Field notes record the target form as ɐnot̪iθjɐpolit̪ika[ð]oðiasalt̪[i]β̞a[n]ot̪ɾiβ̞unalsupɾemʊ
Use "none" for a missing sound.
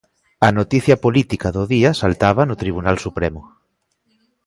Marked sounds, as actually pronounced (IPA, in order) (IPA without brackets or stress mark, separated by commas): ð, a, n